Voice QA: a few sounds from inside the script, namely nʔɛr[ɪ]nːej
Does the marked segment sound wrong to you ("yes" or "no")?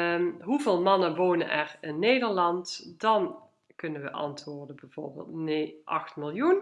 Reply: no